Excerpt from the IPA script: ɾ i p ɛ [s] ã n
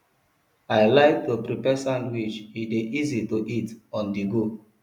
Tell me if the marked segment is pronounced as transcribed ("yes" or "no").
yes